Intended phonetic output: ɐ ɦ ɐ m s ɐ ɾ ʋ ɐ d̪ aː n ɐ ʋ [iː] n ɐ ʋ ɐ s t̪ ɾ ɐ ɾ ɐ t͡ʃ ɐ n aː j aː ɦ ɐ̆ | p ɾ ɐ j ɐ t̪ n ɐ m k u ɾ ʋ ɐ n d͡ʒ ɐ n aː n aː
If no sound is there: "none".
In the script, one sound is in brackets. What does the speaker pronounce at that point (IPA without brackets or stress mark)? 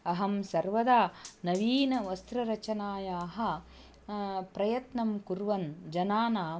iː